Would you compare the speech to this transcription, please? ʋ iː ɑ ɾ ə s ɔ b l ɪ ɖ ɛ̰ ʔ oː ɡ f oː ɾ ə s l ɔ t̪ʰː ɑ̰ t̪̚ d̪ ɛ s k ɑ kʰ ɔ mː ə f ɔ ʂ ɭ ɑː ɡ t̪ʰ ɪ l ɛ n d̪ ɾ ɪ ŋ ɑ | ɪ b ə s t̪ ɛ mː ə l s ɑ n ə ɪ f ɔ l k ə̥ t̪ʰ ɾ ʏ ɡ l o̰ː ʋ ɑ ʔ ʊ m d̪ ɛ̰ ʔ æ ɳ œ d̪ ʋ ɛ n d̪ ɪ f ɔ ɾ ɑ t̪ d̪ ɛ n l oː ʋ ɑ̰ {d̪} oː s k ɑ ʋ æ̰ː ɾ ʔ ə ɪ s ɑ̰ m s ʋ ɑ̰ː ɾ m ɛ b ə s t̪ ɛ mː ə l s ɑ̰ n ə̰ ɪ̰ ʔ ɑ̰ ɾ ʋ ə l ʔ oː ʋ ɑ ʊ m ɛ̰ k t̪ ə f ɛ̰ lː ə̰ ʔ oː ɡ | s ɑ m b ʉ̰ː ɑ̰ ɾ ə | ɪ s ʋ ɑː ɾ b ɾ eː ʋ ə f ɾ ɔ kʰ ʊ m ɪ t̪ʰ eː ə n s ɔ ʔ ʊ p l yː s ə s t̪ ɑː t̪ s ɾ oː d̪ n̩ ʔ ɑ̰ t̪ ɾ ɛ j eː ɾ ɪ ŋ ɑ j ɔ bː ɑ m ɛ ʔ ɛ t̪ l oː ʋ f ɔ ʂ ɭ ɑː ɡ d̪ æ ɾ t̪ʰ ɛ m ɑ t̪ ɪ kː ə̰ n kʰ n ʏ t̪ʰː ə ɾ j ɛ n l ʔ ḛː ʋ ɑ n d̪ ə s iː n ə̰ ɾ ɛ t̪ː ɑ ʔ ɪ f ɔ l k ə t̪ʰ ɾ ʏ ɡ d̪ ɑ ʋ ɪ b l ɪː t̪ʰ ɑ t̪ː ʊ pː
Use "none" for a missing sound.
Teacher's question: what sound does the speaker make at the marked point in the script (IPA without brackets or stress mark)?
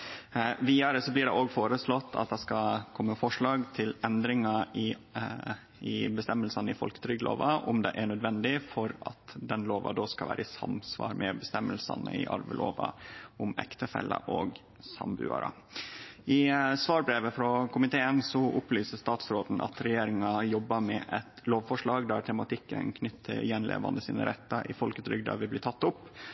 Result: d̪